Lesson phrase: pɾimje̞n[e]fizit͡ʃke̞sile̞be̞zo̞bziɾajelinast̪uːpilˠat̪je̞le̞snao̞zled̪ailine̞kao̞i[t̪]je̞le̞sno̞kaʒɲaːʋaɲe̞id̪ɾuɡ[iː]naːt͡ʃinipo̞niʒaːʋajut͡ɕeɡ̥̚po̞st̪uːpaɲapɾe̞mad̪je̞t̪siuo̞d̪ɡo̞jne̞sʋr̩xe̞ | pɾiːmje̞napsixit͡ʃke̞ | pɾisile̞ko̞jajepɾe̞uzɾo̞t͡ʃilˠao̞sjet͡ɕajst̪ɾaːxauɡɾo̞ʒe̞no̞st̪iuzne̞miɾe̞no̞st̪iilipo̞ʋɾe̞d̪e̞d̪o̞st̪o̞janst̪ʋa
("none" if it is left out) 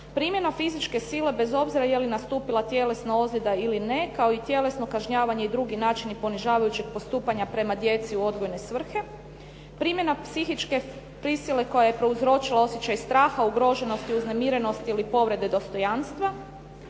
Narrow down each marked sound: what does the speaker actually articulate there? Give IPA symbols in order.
a, t̪, i

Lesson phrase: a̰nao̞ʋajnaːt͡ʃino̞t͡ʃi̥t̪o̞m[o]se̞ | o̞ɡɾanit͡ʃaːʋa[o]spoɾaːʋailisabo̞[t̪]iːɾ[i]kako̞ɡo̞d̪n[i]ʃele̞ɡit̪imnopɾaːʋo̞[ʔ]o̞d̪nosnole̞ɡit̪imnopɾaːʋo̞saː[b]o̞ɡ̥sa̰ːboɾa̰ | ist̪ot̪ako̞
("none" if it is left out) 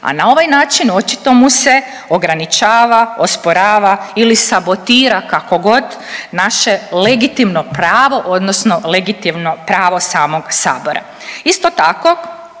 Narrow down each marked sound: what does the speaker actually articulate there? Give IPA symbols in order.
u, o, t̪, a, a, ʔ, m

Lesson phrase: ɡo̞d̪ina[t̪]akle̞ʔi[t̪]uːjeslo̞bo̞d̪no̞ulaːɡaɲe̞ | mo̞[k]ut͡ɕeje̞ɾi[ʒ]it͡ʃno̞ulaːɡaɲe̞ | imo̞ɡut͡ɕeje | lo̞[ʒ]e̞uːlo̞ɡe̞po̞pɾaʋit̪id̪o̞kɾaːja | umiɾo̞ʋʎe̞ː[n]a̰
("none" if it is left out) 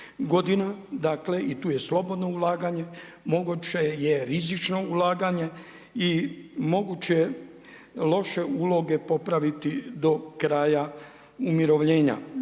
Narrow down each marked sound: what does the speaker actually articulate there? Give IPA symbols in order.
d̪, t̪, ɡ, z, ʃ, ɲ

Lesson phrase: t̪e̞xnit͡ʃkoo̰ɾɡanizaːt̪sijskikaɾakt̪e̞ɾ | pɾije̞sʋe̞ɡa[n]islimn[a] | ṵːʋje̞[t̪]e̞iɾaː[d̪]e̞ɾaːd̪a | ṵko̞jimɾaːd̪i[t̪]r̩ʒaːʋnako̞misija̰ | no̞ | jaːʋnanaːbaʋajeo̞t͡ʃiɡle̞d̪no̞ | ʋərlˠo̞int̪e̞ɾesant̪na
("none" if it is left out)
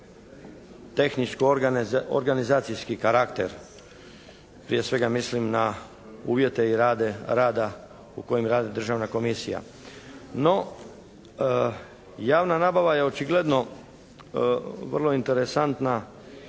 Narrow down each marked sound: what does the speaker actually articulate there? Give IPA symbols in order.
m, a, t̪, d̪, d̪

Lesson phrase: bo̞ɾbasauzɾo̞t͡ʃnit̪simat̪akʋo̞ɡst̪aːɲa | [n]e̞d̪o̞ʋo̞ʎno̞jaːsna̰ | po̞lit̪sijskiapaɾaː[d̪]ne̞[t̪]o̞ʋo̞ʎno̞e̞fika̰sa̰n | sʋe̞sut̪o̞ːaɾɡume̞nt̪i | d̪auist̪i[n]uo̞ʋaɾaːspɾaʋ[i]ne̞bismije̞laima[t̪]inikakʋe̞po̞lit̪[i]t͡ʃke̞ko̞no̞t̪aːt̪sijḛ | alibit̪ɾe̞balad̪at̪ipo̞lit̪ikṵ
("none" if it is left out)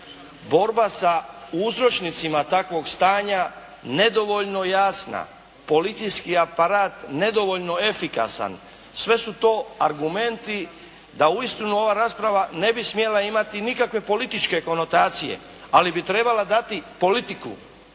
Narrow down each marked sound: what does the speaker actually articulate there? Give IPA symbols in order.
n, t̪, d̪, n, a, t̪, i

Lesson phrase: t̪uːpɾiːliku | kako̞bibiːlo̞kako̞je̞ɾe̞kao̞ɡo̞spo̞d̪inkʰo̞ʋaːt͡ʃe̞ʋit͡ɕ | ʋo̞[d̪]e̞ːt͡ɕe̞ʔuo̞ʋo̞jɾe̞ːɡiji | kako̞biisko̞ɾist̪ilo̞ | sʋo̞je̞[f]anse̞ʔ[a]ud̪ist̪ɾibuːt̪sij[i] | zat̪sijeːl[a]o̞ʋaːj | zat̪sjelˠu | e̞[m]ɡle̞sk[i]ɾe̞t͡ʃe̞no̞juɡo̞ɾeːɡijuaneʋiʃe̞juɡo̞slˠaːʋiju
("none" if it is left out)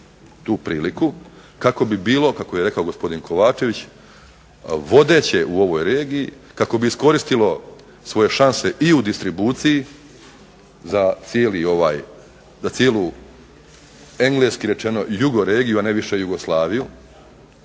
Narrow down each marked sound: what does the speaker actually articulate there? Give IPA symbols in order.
d̪, ʃ, i, i, i, ŋ, i

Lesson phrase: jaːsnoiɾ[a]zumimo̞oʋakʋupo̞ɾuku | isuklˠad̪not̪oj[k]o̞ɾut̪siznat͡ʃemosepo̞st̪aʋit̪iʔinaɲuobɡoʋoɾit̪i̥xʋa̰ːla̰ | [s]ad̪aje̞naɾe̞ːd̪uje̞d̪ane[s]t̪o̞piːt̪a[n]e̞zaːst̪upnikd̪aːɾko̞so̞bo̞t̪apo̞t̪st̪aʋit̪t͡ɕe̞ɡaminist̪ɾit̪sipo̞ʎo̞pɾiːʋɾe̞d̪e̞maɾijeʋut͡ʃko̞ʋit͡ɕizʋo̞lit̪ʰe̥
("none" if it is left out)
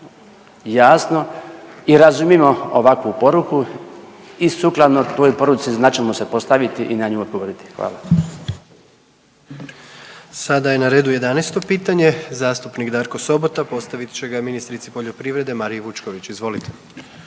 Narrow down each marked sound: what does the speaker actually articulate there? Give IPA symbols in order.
a, p, s, s, ɲ

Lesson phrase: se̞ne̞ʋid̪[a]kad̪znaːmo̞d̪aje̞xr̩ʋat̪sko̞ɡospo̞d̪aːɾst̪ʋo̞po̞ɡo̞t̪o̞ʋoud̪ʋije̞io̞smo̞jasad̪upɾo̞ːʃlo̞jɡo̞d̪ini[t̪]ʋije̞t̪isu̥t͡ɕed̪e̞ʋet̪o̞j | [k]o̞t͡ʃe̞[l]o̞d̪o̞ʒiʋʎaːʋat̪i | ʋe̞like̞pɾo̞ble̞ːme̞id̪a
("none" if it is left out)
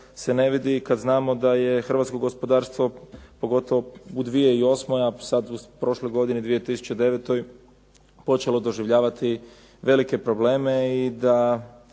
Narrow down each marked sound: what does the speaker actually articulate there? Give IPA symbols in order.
i, d̪, p, l

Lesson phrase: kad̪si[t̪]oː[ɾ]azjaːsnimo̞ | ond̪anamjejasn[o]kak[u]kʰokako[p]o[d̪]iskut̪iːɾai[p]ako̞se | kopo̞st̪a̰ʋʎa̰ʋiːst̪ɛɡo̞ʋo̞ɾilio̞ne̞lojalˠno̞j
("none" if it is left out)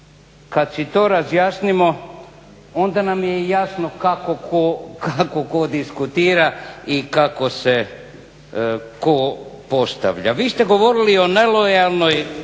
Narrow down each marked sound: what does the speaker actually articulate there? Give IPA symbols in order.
t̪, ɾ, o, o, k, d̪, k

